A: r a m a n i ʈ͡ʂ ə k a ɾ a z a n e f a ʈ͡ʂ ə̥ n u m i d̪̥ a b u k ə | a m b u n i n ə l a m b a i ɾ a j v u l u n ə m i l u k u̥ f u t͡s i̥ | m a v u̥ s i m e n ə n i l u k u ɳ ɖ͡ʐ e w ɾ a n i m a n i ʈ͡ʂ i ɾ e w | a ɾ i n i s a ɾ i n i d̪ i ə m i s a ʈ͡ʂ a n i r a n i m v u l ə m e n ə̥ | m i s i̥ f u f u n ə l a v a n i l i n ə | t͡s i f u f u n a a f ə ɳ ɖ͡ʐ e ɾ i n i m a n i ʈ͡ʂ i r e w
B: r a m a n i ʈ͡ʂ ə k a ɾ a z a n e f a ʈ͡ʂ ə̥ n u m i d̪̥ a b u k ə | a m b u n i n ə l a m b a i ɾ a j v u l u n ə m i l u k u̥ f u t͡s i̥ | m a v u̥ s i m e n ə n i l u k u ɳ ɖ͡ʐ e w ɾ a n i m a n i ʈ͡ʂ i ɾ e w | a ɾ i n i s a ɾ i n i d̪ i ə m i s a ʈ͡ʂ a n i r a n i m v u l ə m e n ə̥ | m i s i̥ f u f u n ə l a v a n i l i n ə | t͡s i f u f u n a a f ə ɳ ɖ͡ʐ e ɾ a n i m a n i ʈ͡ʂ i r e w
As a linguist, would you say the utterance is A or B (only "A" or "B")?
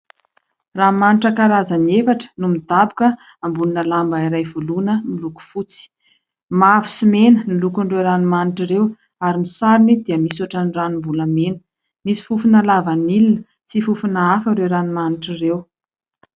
B